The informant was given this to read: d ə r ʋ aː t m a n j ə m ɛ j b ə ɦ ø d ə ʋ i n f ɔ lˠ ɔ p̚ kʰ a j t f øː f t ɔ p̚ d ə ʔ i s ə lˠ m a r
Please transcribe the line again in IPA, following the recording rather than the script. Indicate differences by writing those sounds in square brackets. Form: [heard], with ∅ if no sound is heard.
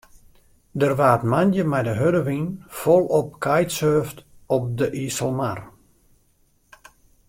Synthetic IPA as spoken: d ə r ʋ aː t m a n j ə m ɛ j [d] ə ɦ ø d ə ʋ i n f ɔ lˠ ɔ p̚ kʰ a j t [s] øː f t ɔ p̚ d ə ʔ i s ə lˠ m a r